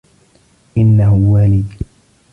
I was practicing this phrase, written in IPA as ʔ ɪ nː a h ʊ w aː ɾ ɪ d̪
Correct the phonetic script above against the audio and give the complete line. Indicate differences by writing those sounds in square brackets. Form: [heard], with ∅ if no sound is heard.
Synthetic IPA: ʔ ɪ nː a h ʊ w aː [l] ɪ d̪